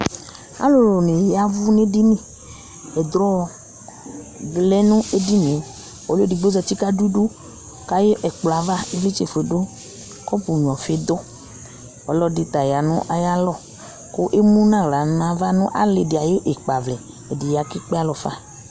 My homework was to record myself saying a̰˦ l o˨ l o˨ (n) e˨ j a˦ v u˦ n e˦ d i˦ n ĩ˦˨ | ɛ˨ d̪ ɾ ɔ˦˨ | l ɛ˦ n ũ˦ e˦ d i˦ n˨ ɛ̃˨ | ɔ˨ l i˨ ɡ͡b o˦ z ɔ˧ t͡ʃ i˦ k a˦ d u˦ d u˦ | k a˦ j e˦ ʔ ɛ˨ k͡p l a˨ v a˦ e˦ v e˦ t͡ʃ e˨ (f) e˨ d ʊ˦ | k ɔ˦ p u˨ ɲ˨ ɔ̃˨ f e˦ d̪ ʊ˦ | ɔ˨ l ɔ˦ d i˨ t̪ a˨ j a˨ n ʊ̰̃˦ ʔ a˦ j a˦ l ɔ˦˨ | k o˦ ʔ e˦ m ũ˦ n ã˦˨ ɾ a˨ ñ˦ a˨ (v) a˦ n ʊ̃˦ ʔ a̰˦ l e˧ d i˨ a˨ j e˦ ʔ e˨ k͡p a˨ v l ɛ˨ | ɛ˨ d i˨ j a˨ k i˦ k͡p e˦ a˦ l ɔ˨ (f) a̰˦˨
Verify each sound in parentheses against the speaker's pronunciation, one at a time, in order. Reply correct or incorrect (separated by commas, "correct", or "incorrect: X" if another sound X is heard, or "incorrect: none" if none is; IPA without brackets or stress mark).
correct, correct, correct, correct